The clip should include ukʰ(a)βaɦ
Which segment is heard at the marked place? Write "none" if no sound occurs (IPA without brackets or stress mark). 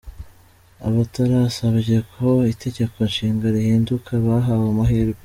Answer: a